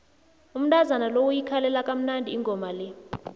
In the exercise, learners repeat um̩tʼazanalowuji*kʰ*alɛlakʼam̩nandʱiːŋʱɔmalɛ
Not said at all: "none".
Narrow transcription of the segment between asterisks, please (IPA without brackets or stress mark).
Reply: kʰ